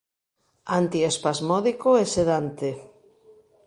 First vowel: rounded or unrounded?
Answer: unrounded